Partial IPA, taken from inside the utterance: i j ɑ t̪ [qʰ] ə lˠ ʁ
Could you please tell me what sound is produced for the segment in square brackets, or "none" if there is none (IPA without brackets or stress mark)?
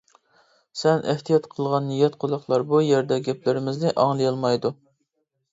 qʰ